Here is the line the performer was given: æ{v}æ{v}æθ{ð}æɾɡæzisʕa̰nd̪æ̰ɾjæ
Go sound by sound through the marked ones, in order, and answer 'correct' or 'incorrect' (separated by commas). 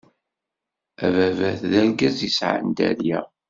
correct, correct, correct